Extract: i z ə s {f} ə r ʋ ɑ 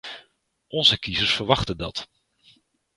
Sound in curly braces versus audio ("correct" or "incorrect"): correct